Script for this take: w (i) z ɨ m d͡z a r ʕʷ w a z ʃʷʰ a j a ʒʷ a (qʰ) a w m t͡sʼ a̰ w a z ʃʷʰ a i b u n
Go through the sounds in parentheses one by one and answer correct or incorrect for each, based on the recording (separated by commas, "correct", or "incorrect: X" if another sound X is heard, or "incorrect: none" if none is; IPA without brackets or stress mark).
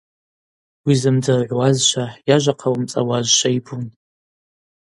correct, correct